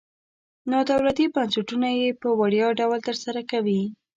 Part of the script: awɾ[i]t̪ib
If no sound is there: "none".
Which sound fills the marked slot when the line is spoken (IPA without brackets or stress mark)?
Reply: a